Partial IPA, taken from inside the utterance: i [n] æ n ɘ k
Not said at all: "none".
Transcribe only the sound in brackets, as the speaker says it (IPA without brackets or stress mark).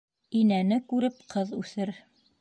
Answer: n